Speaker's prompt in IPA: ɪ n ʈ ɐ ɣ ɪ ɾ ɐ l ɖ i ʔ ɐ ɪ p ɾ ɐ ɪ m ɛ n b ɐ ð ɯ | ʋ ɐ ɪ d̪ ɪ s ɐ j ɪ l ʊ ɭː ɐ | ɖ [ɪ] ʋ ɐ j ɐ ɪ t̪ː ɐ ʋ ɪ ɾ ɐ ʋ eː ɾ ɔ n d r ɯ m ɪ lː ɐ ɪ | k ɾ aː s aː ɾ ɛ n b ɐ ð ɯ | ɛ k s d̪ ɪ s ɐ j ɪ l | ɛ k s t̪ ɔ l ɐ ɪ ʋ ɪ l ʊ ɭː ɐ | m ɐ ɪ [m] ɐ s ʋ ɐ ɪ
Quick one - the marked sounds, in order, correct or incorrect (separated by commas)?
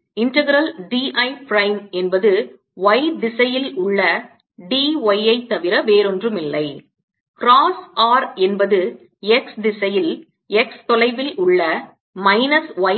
incorrect, incorrect